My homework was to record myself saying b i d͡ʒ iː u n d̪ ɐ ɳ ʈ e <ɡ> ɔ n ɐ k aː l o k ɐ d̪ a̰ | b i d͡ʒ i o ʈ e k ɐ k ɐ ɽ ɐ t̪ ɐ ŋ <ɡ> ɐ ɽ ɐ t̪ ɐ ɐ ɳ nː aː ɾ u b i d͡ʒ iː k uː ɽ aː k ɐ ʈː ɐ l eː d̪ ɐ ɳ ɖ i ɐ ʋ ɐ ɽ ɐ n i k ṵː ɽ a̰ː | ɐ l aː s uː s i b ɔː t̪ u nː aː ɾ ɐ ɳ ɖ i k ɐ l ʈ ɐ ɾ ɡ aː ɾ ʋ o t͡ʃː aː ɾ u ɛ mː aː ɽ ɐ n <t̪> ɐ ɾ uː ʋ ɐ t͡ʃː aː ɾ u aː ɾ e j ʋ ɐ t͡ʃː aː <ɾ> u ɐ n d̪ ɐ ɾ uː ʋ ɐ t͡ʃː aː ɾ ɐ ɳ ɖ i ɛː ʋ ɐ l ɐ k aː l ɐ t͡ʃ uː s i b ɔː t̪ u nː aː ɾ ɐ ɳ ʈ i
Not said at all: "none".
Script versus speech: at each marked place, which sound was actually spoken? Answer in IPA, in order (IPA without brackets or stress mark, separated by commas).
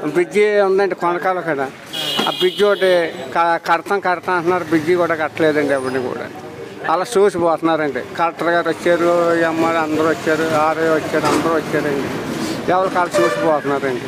k, k, d̪, ɾ